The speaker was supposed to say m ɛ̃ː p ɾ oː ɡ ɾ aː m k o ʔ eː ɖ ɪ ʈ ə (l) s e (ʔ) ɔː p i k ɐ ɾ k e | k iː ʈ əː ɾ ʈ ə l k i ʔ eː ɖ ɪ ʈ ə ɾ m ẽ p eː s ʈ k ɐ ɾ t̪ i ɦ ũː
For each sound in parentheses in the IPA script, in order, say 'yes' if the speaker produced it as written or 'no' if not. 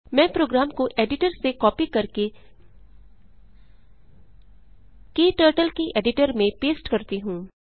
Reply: no, no

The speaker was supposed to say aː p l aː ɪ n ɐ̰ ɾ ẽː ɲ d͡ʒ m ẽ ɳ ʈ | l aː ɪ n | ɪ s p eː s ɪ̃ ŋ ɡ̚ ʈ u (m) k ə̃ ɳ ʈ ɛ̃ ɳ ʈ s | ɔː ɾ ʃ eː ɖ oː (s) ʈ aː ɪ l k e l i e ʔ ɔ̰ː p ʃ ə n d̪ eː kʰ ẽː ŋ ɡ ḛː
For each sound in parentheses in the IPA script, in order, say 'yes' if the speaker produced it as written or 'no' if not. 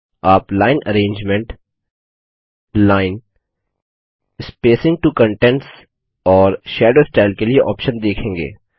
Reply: no, yes

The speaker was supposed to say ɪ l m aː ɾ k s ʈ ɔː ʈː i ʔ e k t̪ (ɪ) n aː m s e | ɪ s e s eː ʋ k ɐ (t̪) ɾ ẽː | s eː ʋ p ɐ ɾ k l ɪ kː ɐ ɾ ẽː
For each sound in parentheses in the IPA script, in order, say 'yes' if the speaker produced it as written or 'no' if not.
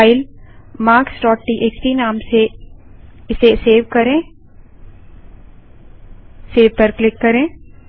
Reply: no, no

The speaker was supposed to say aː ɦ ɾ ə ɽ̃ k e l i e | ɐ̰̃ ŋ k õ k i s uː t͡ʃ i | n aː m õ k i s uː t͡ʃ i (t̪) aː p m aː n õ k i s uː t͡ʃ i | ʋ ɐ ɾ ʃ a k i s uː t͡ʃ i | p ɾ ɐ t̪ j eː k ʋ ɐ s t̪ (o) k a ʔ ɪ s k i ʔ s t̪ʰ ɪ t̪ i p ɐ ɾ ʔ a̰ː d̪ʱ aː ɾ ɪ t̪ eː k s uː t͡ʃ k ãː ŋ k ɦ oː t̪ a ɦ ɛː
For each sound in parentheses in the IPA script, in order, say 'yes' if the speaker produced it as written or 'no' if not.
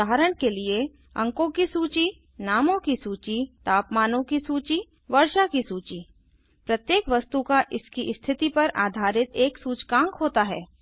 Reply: yes, no

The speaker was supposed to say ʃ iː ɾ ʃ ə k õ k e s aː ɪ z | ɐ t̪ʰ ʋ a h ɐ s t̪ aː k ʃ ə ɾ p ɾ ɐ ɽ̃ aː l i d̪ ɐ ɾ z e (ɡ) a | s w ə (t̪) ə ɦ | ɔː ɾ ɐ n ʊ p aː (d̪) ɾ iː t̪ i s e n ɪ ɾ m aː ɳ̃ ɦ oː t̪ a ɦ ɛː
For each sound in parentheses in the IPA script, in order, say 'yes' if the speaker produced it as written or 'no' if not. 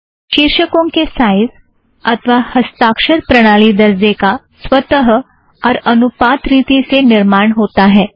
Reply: no, yes, no

